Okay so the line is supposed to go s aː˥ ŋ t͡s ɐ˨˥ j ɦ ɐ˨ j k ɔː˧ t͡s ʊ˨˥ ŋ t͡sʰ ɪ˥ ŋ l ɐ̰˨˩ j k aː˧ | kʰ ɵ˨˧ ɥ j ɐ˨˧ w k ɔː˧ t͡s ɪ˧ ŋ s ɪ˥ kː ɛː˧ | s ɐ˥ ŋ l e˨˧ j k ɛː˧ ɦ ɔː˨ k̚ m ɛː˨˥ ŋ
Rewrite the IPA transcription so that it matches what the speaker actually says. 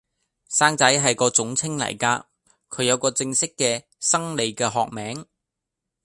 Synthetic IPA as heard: s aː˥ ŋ t͡s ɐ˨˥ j ɦ ɐ˨ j k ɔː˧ t͡s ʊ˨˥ ŋ t͡sʰ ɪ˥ ŋ l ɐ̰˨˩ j k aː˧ | kʰ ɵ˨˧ ɥ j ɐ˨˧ w k ɔː˧ t͡s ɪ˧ ŋ s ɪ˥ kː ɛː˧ | s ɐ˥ ŋ l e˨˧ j k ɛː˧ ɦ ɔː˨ k̚ m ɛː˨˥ ŋ